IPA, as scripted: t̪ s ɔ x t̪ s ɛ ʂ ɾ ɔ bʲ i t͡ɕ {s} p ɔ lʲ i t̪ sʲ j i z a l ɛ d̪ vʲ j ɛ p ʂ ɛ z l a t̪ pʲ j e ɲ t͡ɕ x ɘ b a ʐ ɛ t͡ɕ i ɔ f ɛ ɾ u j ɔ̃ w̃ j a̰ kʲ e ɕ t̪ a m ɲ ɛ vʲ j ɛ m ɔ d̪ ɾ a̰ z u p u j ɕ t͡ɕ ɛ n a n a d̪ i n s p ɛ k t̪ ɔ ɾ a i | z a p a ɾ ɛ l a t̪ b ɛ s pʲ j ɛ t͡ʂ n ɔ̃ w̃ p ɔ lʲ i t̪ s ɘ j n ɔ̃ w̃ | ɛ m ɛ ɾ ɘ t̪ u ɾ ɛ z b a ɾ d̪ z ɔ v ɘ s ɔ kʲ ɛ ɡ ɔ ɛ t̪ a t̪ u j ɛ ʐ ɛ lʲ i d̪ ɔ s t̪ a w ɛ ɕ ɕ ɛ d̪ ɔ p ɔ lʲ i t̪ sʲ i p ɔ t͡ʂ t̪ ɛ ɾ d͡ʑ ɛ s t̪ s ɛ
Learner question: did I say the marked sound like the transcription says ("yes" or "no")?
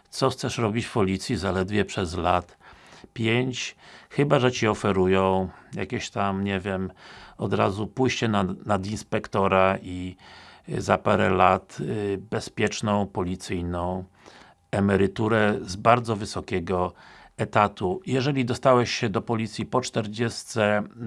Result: no